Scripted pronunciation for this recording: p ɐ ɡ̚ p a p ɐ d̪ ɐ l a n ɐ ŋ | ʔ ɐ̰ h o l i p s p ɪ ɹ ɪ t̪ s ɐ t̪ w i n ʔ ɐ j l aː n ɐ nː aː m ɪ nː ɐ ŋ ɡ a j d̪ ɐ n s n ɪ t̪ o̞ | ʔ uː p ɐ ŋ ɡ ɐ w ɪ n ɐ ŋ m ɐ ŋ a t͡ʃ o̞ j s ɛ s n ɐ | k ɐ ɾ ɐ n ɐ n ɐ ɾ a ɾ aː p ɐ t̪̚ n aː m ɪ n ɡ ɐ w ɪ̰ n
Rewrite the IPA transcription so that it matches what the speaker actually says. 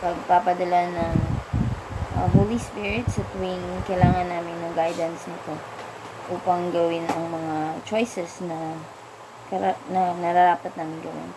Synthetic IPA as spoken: p ɐ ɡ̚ p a p ɐ d̪ ɐ l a n ɐ ŋ | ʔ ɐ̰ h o l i s p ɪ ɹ ɪ t̪ s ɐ t̪ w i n k ɐ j l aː ŋ ɐ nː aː m ɪ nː ɐ ŋ ɡ a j d̪ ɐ n s n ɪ t̪ o̞ | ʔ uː p ɐ ŋ ɡ ɐ w ɪ n ɐ ŋ m ɐ ŋ a t͡ʃ o̞ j s ɛ s n ɐ | k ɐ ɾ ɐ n ɐ n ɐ ɾ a ɾ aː p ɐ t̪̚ n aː m ɪ n ɡ ɐ w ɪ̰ n